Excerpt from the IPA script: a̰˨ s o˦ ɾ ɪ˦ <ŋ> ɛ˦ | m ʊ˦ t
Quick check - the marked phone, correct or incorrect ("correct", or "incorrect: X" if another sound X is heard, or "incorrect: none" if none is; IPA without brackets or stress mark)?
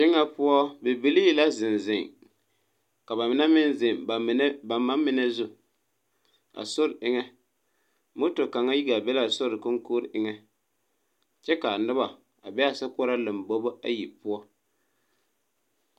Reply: correct